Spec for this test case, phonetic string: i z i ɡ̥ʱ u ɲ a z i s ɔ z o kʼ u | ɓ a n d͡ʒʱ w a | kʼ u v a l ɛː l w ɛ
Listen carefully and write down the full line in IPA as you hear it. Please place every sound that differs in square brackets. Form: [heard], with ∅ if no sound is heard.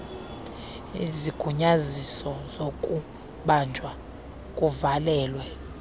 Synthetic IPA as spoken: i z i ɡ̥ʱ u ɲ a z i s ɔ z o kʼ u | ɓ a n d͡ʒʱ w a | kʼ u v a l ɛː l w ɛ